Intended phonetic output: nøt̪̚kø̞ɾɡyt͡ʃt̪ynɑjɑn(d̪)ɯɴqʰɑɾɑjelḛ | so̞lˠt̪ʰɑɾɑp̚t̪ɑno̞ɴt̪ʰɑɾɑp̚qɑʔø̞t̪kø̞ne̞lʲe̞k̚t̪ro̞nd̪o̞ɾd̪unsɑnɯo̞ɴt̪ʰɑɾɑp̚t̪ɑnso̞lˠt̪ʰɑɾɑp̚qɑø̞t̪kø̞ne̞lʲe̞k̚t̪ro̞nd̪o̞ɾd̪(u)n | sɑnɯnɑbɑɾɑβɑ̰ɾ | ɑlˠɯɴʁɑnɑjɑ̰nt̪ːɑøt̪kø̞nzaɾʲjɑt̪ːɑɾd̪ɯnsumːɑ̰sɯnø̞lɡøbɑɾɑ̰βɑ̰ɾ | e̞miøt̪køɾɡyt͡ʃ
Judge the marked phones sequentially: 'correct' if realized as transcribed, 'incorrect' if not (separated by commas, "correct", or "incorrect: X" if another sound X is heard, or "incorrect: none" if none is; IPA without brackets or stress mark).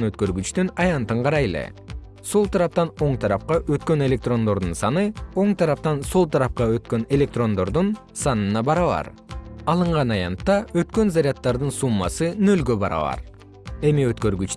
incorrect: t̪, correct